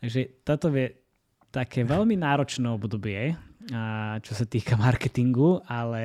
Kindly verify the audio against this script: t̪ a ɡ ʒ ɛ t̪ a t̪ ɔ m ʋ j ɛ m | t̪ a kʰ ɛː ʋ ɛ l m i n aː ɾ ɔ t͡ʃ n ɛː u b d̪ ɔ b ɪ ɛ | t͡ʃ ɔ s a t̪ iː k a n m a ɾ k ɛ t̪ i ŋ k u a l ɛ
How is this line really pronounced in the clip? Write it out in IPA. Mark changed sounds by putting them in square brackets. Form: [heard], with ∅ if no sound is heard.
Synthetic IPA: t̪ a ɡ ʒ ɛ t̪ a t̪ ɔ [∅] ʋ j ɛ [∅] | t̪ a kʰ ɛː ʋ ɛ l m i n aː ɾ ɔ t͡ʃ n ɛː [ɔ] b d̪ ɔ b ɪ ɛ | t͡ʃ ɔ s a t̪ iː k a [∅] m a ɾ k ɛ t̪ i ŋ [ɡ] u a l ɛ